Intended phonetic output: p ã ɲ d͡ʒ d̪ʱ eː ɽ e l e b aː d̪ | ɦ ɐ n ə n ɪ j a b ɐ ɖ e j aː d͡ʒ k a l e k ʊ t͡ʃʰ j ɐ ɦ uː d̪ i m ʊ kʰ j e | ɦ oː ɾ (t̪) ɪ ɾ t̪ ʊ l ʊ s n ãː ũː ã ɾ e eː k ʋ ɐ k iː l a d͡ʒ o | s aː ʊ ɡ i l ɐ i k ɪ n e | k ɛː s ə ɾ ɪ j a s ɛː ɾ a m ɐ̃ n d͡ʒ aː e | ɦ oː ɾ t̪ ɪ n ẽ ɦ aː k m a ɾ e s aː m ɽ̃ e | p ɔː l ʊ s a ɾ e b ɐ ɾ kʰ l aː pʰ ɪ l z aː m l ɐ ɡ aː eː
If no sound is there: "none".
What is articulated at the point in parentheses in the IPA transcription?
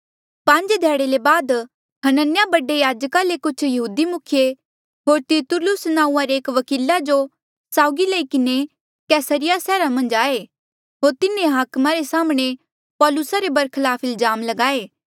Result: t̪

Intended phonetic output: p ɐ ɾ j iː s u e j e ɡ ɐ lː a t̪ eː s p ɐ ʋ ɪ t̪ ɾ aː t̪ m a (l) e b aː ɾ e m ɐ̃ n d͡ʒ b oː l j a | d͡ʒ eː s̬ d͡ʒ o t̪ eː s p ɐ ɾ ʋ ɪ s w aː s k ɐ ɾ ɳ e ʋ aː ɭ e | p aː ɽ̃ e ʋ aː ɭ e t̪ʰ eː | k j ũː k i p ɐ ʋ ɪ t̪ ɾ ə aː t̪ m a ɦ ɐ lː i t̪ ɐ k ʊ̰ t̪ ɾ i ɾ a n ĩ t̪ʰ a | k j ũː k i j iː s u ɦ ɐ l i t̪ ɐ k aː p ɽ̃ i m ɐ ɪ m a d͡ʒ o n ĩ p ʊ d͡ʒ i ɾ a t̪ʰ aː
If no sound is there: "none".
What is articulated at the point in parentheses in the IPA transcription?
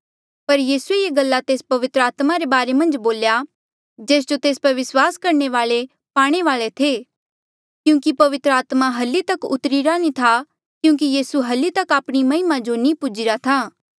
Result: ɾ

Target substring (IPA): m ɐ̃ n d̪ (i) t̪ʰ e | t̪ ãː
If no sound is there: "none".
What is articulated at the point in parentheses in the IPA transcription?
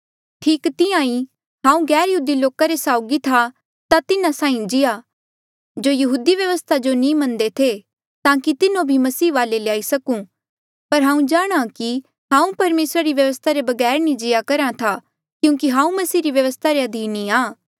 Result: e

